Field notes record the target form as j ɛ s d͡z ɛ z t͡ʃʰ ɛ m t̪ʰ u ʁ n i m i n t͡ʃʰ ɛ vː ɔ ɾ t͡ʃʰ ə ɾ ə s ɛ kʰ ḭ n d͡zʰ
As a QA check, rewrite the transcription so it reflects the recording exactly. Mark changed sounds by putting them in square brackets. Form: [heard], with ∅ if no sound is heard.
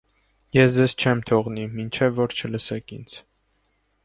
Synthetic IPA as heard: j ɛ s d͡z ɛ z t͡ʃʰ ɛ m t̪ʰ [ɔ] ʁ n i m i n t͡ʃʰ ɛ vː ɔ ɾ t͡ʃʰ ə [l] ə s ɛ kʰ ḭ n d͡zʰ